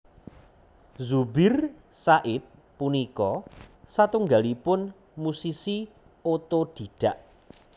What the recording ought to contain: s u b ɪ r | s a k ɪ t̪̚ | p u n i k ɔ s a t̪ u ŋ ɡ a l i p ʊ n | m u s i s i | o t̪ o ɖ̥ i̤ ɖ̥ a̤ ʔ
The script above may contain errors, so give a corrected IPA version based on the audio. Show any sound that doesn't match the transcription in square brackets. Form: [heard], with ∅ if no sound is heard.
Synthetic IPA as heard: [z] u b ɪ r | s a [ʔ] ɪ t̪̚ | p u n i k ɔ s a t̪ u ŋ ɡ a l i p ʊ n | m u s i s i | o t̪ o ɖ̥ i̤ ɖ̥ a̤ ʔ